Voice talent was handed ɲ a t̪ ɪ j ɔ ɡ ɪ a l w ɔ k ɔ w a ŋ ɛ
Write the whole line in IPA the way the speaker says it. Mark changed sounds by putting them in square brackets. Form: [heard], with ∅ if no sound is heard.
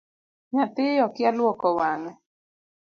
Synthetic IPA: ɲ a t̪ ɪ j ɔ [k] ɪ a l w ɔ k ɔ w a ŋ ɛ